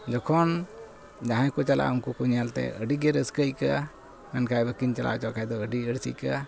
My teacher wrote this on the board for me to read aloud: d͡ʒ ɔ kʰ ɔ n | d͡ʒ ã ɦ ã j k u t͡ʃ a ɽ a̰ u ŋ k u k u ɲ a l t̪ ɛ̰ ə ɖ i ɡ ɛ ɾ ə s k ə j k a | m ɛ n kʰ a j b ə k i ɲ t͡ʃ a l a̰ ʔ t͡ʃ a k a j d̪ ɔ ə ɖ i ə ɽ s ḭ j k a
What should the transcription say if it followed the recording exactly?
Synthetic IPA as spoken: d͡ʒ ɔ kʰ ɔ n | d͡ʒ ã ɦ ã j k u t͡ʃ a l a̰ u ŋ k u k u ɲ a l t̪ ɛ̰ ə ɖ i ɡ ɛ ɾ ə s k ə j k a | m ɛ n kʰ a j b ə k i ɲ t͡ʃ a l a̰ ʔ t͡ʃ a k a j d̪ ɔ ə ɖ i ə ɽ s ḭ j k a